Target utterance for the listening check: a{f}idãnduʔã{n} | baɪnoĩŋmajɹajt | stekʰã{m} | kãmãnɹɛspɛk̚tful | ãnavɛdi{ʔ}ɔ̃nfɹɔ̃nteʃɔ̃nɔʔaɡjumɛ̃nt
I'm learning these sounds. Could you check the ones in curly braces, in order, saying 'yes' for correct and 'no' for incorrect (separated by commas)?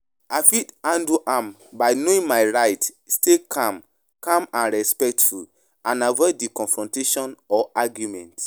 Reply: yes, no, yes, no